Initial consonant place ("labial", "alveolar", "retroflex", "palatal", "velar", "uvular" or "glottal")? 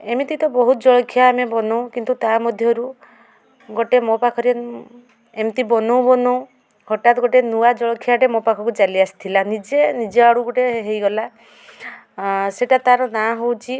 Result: labial